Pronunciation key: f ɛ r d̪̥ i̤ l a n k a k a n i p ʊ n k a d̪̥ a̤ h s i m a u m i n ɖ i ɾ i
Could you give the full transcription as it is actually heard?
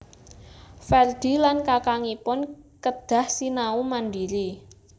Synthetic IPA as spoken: f ɛ r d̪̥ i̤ l a n k a k a ŋ i p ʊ n k ə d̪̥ a̤ h s i n a u m a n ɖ i ɾ i